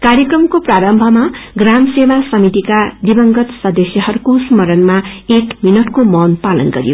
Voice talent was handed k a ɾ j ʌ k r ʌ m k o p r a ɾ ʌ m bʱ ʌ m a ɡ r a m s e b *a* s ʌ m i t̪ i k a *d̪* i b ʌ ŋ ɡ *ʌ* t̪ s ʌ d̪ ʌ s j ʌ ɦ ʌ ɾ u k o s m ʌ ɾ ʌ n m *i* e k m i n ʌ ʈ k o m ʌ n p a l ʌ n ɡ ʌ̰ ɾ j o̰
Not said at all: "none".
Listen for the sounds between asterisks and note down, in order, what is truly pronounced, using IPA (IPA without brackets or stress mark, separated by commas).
a, d̪, ʌ, a